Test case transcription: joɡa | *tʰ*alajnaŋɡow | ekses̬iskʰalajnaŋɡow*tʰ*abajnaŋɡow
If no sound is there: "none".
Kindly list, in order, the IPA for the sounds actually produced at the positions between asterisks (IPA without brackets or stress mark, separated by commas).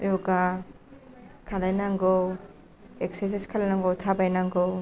kʰ, tʰ